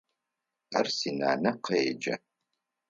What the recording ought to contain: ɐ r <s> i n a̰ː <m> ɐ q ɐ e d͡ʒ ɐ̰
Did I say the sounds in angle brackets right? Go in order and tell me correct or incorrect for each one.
correct, incorrect: n

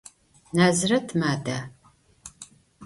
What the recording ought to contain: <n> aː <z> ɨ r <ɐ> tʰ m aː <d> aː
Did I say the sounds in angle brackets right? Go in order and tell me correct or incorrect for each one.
correct, correct, correct, correct

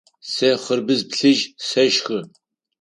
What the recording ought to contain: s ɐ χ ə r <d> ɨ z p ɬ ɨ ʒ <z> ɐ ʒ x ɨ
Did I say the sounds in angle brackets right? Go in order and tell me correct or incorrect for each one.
incorrect: b, incorrect: s

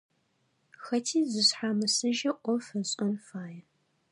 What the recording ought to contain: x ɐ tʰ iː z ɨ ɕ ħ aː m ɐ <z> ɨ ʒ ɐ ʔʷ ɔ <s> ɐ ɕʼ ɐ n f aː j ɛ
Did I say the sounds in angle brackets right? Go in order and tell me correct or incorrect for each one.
incorrect: s, incorrect: f

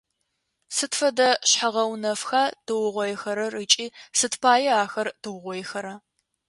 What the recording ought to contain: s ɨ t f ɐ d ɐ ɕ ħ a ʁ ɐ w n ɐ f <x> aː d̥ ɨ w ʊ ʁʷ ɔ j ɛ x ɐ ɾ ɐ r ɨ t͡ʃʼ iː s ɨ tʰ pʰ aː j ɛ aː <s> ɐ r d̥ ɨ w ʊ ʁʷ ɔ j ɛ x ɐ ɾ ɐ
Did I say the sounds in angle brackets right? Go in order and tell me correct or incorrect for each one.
correct, incorrect: x

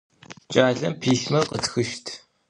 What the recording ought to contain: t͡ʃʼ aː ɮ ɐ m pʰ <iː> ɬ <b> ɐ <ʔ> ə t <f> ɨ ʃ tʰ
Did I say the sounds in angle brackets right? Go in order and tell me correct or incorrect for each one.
correct, incorrect: m, incorrect: q, incorrect: x

